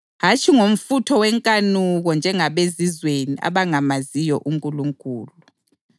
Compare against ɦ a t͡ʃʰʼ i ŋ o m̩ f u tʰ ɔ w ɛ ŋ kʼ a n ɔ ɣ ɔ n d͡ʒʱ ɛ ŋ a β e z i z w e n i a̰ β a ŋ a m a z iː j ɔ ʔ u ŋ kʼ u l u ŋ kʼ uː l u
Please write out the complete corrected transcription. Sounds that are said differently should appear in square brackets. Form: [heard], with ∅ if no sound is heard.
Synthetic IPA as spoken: ɦ a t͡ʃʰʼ i ŋ o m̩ f u tʰ ɔ w ɛ ŋ kʼ a n [u] ɣ ɔ n d͡ʒʱ ɛ ŋ a β e z i z w e n i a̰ β a ŋ a m a z [i] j ɔ ʔ u ŋ kʼ u l u ŋ kʼ uː l u